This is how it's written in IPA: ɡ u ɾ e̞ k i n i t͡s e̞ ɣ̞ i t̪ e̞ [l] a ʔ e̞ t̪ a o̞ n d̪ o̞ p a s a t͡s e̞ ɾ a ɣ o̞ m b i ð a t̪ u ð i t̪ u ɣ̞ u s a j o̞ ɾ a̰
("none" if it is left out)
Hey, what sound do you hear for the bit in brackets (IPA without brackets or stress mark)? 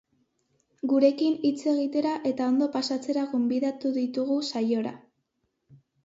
ɾ